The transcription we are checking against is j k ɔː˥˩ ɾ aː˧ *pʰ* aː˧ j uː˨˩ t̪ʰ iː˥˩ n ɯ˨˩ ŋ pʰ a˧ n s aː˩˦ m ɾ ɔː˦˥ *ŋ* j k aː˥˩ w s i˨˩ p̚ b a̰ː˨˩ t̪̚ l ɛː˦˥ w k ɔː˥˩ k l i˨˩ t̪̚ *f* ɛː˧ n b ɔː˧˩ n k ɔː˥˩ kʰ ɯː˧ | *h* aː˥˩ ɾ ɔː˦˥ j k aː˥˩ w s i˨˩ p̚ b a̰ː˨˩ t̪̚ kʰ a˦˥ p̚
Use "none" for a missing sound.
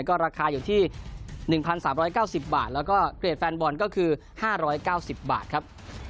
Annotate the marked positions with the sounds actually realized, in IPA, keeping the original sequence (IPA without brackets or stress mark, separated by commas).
kʰ, none, f, h